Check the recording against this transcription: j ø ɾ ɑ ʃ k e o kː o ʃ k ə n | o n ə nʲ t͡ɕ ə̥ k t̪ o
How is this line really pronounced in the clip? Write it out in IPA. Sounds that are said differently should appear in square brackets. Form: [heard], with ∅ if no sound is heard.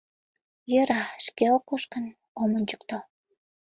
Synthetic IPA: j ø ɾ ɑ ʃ k e o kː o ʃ k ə n | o [m] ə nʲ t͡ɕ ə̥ k t̪ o

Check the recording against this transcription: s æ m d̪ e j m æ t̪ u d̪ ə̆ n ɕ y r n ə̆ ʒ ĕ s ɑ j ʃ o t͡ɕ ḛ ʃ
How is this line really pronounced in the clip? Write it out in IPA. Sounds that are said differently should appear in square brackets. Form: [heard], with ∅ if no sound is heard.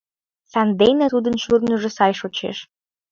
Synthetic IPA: s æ [n] d̪ e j [n] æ t̪ u d̪ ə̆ n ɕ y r n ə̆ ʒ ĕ s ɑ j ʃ o t͡ɕ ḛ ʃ

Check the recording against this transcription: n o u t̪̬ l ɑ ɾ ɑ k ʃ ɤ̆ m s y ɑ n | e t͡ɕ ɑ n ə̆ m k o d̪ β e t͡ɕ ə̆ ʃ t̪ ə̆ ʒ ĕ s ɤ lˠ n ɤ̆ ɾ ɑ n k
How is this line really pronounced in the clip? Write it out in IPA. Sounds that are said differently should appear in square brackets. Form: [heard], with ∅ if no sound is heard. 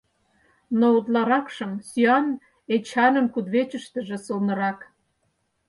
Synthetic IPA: n o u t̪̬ l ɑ ɾ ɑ k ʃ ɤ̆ m s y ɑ n | e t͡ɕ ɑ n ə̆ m k [u] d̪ β e t͡ɕ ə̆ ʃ t̪ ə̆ ʒ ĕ s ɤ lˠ n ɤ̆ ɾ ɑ [∅] k

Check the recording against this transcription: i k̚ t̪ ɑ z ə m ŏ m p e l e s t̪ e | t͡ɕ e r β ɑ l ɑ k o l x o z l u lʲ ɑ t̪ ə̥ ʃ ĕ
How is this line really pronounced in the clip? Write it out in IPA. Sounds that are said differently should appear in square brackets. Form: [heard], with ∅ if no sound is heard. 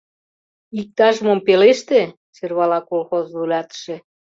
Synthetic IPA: i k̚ t̪ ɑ [ʒ] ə m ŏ m p e l e [ʃ] t̪ e | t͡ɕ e r β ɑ l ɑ k o l x o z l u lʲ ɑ t̪ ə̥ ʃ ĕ

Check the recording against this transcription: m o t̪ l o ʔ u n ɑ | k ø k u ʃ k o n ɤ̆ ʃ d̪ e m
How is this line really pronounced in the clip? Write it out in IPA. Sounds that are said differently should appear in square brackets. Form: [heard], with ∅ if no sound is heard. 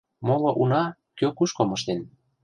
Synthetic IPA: m o [∅] l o ʔ u n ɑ | k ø k u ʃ k o [m] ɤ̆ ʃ [t̪] e [n]

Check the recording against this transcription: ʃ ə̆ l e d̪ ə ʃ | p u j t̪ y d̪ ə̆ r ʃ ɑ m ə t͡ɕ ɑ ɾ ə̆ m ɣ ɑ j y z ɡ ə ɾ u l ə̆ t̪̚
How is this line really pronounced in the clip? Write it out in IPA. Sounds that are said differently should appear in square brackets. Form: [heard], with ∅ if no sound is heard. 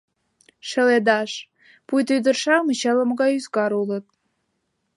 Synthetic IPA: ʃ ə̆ l e d̪ [ɑ] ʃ | p u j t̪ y d̪ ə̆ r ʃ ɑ m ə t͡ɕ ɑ [l] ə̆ m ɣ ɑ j y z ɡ [ɑ] ɾ u l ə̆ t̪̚

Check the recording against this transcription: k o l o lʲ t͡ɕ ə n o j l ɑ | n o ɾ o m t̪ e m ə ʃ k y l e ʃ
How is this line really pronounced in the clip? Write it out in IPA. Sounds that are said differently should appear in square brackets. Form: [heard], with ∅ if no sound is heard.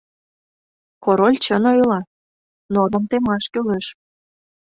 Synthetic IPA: k o [ɾ] o lʲ t͡ɕ ə n o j l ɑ | n o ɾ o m t̪ e m [ɑ] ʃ k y l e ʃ

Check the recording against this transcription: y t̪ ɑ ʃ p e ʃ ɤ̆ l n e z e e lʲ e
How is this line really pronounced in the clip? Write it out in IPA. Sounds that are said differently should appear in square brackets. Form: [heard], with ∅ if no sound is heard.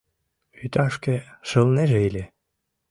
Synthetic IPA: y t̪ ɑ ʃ [k] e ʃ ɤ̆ l n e [ʒ] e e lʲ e

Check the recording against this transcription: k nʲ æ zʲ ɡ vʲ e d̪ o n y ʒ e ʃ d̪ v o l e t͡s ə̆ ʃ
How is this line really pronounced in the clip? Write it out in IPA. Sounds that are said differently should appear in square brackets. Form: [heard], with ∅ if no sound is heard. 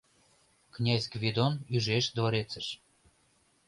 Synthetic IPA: k nʲ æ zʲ ɡ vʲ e d̪ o n y ʒ e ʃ d̪ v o [ɾ] e t͡s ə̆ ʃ

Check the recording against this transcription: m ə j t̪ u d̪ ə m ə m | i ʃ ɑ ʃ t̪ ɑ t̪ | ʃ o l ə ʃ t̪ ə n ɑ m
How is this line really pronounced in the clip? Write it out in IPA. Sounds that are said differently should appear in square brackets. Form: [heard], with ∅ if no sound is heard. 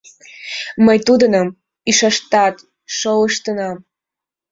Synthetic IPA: m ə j t̪ u d̪ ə [n] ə m | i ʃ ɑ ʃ t̪ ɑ t̪ | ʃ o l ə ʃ t̪ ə n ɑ m

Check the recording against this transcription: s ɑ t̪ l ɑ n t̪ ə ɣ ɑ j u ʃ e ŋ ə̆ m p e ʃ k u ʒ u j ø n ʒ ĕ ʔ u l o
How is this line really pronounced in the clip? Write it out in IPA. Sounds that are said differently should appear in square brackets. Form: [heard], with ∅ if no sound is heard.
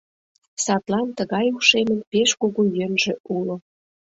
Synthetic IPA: s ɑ t̪ l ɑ n t̪ ə ɣ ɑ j u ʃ e [m] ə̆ [n] p e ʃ k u [ɣ] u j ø n ʒ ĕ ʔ u l o

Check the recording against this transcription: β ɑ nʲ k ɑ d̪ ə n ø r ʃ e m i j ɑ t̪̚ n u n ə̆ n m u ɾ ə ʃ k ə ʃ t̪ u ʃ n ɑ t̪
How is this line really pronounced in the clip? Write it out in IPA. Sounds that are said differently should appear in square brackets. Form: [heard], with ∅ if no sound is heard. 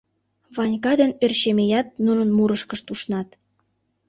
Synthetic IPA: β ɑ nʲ k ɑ d̪ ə n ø r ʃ e m [e] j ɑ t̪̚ n u n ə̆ n m u ɾ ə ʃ k ə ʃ t̪ u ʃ n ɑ t̪

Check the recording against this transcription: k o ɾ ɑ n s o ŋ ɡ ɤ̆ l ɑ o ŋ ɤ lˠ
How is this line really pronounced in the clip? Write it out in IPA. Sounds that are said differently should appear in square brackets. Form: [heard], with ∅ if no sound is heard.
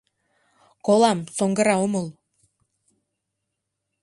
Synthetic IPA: k o [l] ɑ [m] s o ŋ ɡ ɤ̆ [ɾ] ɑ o [m] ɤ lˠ

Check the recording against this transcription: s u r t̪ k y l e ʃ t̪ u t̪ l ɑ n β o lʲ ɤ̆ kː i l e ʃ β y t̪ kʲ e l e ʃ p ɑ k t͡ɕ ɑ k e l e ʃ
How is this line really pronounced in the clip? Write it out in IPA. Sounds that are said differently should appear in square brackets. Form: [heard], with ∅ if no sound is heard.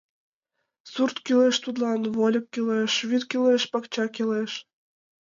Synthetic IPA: s u r t̪ k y l e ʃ t̪ u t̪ l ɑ n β o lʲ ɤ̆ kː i l e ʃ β y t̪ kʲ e l e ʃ p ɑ k t͡ɕ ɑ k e l e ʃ

